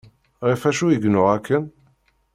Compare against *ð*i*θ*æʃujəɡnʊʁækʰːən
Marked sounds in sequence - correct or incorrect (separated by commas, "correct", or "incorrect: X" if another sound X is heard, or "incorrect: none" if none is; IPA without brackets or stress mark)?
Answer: incorrect: ʁ, incorrect: f